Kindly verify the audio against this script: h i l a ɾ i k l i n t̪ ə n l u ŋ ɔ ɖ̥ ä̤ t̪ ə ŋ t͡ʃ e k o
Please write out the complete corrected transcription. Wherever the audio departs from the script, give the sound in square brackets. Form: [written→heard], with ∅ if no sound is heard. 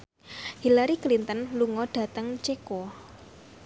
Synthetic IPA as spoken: h i l a ɾ i k l i n t̪ ə n l u ŋ ɔ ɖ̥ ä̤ t̪ ə ŋ t͡ʃ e k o